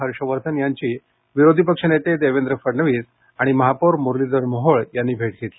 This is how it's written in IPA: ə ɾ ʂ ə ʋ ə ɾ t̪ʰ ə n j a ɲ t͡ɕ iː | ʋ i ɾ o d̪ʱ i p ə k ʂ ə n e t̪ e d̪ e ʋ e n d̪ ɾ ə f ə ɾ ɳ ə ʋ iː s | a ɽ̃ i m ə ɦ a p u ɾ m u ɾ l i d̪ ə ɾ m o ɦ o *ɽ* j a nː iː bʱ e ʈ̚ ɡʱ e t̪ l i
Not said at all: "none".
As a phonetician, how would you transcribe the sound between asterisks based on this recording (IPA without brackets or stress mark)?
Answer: ɭ